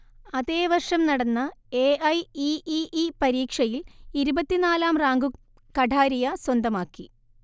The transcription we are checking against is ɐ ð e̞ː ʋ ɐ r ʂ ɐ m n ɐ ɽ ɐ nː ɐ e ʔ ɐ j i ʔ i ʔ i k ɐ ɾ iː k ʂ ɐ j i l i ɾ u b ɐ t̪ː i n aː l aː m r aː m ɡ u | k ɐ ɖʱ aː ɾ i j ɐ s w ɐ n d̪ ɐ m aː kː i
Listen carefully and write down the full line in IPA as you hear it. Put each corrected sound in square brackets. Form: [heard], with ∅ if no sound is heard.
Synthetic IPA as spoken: ɐ ð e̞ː ʋ ɐ r ʂ ɐ m n ɐ ɽ ɐ nː ɐ e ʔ ɐ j i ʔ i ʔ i [p] ɐ ɾ iː k ʂ ɐ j i l i ɾ u b ɐ t̪ː i n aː l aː m r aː [ŋ] ɡ u | k ɐ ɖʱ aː ɾ i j ɐ s w ɐ n d̪ ɐ m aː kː i